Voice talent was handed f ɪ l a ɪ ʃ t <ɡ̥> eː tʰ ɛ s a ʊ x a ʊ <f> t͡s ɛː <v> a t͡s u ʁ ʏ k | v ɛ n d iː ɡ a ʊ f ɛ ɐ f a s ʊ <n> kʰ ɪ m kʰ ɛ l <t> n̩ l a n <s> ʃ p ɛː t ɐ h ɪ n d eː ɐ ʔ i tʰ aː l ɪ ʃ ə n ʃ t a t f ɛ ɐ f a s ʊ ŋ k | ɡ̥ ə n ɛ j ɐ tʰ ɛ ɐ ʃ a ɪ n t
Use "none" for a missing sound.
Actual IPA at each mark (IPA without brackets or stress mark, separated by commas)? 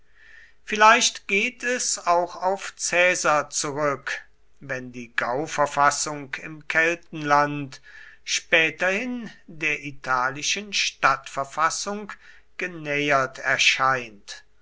ɡ̥, f, z, ŋ, t, t